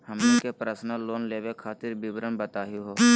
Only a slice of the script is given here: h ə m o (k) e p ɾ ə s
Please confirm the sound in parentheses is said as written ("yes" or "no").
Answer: yes